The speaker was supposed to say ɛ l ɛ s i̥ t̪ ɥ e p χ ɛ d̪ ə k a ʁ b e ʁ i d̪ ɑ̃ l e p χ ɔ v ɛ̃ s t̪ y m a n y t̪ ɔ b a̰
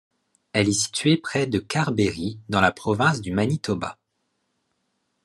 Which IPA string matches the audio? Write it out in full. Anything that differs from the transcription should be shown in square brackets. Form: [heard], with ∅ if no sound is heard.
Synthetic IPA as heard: ɛ l ɛ s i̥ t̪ ɥ e p χ ɛ d̪ ə k a ʁ b e ʁ i d̪ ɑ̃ l [a] p χ ɔ v ɛ̃ s [d̪] y m a n [i] t̪ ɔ b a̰